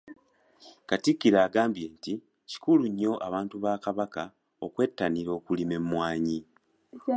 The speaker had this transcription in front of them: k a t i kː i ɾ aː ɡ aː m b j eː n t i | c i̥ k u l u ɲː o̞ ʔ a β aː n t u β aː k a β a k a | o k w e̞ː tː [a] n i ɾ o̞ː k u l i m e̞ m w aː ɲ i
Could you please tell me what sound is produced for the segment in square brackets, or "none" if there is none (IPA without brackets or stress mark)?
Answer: a